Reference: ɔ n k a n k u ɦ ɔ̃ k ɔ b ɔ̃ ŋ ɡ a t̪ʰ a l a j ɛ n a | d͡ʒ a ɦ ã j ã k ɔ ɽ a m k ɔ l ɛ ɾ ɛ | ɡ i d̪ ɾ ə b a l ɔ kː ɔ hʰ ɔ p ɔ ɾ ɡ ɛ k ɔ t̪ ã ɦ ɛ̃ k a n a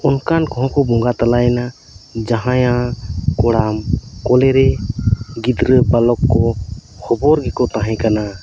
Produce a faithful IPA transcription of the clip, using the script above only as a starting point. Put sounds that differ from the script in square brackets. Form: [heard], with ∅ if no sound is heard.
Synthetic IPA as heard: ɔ n k a n k [ɔ] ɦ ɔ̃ k ɔ b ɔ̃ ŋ ɡ a [t̪] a l a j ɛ n a | d͡ʒ a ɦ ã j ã k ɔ ɽ a m k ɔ l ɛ ɾ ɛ | ɡ i d̪ ɾ ə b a l ɔ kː ɔ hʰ ɔ [b] ɔ ɾ ɡ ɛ k ɔ t̪ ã ɦ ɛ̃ k a n a